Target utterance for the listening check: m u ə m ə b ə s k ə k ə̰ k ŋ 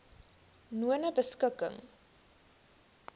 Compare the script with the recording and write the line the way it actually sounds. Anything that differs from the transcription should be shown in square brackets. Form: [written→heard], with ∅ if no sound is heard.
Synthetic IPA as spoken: [m→n] u ə [m→n] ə b ə s k ə k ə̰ [k→∅] ŋ